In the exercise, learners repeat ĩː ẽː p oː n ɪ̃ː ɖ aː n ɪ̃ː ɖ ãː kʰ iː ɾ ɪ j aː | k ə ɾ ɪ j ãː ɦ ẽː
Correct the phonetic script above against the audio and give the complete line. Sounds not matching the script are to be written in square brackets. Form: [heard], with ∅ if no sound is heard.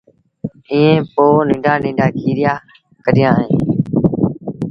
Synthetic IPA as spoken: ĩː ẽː p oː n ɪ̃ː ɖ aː n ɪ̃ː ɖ [aː] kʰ iː ɾ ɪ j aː | k ə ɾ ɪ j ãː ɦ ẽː